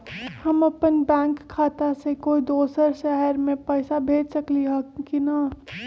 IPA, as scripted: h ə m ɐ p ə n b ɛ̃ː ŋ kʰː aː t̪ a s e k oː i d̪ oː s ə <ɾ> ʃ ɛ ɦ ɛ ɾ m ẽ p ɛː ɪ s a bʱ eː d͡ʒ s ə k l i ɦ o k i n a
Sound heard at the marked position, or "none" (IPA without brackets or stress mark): ɾ